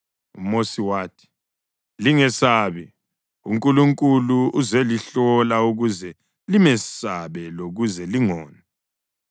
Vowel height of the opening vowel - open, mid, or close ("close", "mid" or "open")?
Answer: close